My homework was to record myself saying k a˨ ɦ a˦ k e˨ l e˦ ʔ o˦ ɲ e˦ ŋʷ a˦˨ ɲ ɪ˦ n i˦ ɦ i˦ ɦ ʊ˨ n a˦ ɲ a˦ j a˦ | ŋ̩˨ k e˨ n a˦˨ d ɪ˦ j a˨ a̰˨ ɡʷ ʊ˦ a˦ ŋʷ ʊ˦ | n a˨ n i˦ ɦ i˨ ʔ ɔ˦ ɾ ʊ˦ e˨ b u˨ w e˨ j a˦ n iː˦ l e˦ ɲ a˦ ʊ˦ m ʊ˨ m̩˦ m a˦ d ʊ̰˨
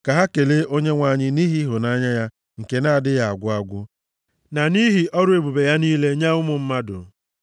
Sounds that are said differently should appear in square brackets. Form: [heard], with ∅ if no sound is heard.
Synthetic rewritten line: k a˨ ɦ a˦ k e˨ l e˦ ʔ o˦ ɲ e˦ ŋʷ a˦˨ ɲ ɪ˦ n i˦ ɦ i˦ ɦ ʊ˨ n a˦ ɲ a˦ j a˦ | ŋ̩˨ k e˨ n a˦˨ d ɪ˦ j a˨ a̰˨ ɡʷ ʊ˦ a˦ [ɡʷ] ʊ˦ | n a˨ n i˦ ɦ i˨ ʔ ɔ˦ ɾ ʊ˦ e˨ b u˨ [b] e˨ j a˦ n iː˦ l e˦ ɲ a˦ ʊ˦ m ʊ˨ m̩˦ m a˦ d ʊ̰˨